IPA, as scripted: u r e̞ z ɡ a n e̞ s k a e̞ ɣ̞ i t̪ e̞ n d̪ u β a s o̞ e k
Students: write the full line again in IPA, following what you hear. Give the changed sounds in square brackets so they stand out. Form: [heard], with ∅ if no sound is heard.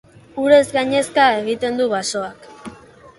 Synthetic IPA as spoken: u [ɾ] e̞ z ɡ a [ɲ] e̞ s k a e̞ ɣ̞ i t̪ e̞ n d̪ u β a s o̞ [a] k

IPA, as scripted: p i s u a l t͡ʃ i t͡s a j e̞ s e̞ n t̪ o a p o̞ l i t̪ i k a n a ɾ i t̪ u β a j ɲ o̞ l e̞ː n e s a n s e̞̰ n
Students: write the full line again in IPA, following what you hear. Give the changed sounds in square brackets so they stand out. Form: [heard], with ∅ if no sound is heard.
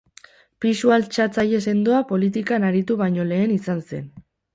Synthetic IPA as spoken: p i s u a l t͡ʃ [a] t͡s a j e̞ s e̞ n [d̪] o a p o̞ l i t̪ i k a n a ɾ i t̪ u β a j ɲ o̞ l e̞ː n [i] s a n s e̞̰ n

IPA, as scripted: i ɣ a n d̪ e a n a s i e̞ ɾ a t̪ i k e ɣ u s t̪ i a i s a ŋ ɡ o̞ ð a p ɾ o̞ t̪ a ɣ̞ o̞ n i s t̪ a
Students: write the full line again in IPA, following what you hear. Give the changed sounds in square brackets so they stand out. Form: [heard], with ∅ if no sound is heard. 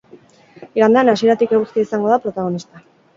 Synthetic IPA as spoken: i ɣ a n d̪ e a n a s i e̞ ɾ a t̪ i k e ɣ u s t̪ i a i s a ŋ ɡ o̞ ð a p ɾ o̞ t̪ a ɣ̞ o̞ n i s t̪ a

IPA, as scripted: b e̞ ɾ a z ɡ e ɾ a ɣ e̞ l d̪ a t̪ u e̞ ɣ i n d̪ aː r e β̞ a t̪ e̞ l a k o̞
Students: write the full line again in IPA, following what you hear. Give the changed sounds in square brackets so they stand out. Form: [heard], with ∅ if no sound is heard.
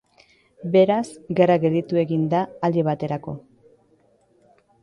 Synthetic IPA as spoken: b e̞ ɾ a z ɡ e ɾ a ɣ e̞ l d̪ [i] t̪ u e̞ ɣ i n d̪ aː [l] e β̞ a t̪ e̞ [ɾ] a k o̞

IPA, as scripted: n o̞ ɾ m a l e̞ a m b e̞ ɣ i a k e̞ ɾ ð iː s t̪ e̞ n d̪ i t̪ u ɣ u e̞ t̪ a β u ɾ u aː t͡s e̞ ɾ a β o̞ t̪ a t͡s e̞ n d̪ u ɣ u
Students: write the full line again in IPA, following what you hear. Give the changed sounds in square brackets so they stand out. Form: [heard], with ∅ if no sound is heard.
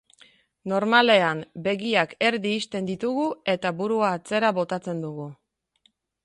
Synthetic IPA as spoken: n o̞ ɾ m a l e̞ a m b e̞ ɣ i a k e̞ ɾ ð iː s t̪ e̞ n d̪ i t̪ u ɣ u e̞ t̪ a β u ɾ u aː t͡s e̞ ɾ a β o̞ t̪ a t͡s e̞ n d̪ u ɣ u

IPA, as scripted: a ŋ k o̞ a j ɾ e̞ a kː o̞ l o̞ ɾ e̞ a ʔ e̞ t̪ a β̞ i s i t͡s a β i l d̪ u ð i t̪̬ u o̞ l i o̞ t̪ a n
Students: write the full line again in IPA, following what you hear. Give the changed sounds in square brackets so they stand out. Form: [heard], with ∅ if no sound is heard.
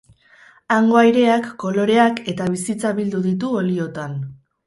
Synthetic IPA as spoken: a ŋ [ɡ] o̞ a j ɾ e̞ a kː o̞ l o̞ ɾ e̞ a [k] e̞ t̪ a β̞ i s i t͡s a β i l d̪ u ð i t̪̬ u o̞ l i o̞ t̪ a n

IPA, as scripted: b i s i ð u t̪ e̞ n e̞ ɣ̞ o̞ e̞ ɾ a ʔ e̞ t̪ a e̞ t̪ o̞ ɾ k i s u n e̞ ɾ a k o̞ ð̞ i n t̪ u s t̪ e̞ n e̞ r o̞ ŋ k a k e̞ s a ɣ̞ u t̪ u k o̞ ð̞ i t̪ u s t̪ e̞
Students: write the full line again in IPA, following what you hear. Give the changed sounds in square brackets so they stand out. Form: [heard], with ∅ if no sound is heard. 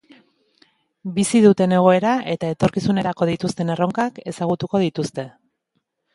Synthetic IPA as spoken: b i s i ð u t̪ e̞ n e̞ ɣ̞ o̞ e̞ ɾ a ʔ e̞ t̪ a e̞ t̪ o̞ ɾ k i s u n e̞ ɾ a k o̞ ð̞ i [∅] t̪ u s t̪ e̞ n e̞ r o̞ ŋ k a k e̞ s a ɣ̞ u t̪ u k o̞ ð̞ i t̪ u s t̪ e̞

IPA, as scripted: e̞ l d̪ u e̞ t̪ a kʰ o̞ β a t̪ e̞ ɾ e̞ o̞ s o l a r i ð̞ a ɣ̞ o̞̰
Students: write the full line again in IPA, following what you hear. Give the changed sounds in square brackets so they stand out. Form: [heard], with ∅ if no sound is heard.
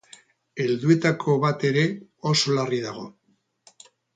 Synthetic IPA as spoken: e̞ l d̪ u e̞ t̪ a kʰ o̞ β a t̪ e̞ ɾ e̞ o̞ s o l a r i ð̞ a ɣ̞ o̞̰

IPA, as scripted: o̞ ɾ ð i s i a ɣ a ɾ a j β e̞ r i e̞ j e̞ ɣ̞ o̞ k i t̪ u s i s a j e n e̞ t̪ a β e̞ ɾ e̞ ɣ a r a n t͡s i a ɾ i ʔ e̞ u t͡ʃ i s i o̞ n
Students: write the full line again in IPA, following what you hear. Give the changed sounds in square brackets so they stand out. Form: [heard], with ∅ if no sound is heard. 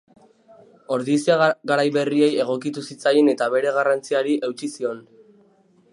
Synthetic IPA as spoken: o̞ ɾ ð i s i a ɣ a ɾ a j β e̞ r i e̞ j e̞ ɣ̞ o̞ k i t̪ u s i [t͡s] a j e n e̞ t̪ a β e̞ ɾ e̞ ɣ a r a n t͡s i a ɾ i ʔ e̞ [w] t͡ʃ i s i o̞ n

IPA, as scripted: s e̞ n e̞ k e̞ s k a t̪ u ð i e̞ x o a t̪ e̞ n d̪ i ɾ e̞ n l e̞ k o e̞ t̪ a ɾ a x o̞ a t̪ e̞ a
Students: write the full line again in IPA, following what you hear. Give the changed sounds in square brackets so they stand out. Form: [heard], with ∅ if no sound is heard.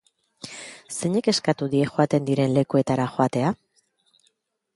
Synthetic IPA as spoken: s e̞ [ɲ] e̞ k e̞ s k a t̪ u ð i e̞ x o a t̪ e̞ n d̪ i ɾ e̞ n l e̞ k [u] e̞ t̪ a ɾ a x o̞ a t̪ e̞ a

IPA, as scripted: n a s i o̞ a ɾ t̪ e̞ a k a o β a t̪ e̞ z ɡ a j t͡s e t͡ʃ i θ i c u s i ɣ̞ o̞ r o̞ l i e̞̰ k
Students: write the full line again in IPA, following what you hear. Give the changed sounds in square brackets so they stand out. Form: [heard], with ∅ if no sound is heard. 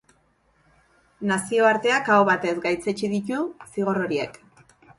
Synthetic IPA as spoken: n a s i o̞ a ɾ t̪ e̞ a k a o β a t̪ e̞ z ɡ a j t͡s e t͡ʃ i [ð] i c u s i ɣ̞ o̞ r o̞ [ɾ] i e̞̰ k

